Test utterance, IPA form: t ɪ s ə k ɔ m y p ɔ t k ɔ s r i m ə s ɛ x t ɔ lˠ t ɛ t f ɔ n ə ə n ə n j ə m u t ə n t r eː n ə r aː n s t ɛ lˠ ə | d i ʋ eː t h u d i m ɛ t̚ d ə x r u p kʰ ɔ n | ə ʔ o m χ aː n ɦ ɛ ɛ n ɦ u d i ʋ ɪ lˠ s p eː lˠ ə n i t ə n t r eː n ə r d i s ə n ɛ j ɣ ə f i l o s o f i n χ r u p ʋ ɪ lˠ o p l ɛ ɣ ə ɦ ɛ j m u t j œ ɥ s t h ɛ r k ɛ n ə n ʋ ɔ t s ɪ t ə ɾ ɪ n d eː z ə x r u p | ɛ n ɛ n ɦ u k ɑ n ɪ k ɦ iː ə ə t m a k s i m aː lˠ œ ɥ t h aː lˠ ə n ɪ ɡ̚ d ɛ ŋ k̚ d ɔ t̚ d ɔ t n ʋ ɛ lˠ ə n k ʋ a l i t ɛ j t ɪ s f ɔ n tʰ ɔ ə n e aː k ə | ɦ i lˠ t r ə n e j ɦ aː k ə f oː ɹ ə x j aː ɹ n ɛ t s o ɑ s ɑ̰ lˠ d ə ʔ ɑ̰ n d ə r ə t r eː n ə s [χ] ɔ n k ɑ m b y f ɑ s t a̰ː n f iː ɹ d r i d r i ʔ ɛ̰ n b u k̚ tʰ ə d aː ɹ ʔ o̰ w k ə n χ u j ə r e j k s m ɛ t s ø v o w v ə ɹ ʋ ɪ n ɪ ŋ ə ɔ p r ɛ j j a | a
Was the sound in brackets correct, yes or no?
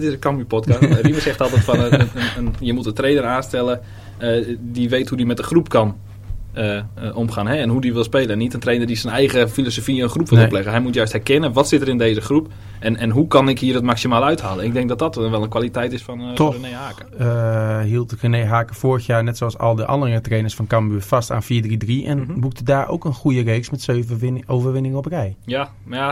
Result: no